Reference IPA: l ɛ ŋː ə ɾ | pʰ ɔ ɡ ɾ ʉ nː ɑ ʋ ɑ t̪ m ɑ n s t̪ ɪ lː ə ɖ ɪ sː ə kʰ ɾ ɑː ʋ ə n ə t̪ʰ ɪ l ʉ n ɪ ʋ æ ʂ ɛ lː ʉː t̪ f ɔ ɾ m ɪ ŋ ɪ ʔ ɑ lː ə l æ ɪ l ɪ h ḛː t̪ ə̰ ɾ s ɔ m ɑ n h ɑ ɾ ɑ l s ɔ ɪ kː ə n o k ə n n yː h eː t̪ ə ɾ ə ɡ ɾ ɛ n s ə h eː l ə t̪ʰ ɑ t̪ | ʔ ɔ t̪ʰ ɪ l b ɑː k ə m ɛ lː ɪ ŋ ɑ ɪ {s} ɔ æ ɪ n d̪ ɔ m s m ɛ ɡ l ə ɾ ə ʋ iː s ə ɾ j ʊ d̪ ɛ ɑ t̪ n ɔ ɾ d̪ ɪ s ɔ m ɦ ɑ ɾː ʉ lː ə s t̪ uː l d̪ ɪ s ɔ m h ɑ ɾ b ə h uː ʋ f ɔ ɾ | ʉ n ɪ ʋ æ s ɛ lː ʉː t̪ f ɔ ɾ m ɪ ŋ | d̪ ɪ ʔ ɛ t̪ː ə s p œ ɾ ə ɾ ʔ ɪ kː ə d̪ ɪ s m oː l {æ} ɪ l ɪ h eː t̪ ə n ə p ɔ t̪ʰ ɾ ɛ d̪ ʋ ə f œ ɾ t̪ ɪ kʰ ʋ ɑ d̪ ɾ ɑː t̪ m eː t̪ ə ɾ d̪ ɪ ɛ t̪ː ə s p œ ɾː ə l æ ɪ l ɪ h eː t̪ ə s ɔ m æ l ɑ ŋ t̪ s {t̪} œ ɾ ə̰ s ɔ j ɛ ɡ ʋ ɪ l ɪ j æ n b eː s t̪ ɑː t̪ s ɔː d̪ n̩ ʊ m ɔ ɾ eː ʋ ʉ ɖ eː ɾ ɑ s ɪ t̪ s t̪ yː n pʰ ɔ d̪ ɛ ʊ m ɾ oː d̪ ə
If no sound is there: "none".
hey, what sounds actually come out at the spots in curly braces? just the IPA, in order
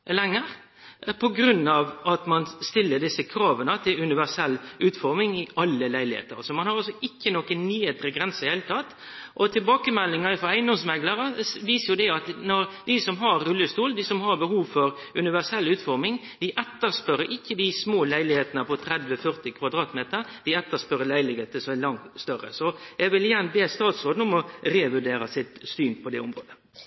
f, æ, t̪

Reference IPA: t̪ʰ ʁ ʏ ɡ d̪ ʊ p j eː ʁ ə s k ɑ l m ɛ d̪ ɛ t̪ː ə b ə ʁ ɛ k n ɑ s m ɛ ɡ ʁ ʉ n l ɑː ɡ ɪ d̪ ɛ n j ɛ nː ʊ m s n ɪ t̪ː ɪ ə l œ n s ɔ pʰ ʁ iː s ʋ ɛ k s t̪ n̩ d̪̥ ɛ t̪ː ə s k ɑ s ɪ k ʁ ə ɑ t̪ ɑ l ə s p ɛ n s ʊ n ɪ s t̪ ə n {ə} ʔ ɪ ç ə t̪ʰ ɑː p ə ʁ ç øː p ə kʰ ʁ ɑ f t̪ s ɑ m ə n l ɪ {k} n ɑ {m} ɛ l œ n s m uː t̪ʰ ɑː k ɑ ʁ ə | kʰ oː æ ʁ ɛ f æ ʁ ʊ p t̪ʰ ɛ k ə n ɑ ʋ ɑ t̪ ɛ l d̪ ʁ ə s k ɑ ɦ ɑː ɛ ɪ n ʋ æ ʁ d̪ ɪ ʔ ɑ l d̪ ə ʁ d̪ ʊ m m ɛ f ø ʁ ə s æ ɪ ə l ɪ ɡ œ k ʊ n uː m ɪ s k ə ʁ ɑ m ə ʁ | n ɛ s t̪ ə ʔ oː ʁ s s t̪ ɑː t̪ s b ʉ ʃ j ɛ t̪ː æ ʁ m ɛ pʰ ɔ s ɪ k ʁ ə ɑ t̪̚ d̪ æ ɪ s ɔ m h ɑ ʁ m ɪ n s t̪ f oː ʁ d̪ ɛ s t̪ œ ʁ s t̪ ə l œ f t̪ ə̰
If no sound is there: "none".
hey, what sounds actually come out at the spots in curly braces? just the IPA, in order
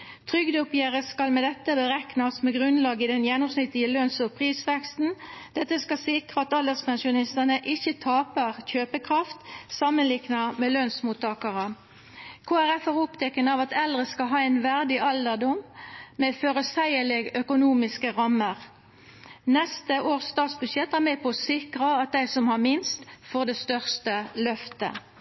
ə, k, m

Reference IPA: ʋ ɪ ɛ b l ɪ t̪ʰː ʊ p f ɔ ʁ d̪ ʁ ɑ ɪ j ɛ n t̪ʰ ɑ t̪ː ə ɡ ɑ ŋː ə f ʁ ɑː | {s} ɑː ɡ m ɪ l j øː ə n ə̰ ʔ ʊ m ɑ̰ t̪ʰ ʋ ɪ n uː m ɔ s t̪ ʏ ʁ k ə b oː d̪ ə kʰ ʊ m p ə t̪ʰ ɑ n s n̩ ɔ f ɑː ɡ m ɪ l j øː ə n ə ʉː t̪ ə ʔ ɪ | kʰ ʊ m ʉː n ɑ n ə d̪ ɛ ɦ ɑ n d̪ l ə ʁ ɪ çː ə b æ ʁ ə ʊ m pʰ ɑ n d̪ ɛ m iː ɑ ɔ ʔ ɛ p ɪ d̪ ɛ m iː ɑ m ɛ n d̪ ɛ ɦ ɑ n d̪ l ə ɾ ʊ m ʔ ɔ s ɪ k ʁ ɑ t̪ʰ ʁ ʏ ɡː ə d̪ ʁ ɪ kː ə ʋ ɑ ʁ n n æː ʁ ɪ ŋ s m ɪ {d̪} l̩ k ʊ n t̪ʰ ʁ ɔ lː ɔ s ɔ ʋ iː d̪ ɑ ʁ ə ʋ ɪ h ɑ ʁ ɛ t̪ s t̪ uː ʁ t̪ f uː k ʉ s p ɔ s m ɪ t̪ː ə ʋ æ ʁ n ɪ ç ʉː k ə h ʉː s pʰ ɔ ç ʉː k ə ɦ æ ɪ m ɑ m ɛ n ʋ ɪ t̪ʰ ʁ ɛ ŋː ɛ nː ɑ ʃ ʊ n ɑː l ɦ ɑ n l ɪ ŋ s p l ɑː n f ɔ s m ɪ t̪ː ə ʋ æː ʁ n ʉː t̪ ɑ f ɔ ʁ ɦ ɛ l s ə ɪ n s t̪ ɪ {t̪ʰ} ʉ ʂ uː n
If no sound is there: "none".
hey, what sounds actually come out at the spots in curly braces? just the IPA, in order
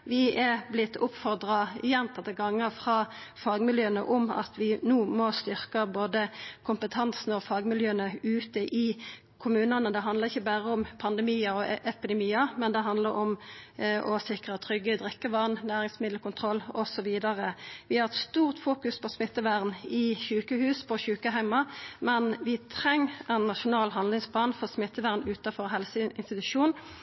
f, d̪, t̪

